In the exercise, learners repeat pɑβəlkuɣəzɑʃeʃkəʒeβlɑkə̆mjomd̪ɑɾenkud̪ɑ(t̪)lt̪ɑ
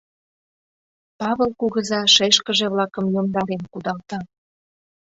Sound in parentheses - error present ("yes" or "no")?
yes